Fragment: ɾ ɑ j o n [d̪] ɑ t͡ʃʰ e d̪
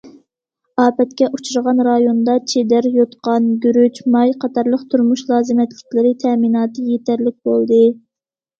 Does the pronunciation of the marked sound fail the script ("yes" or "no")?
no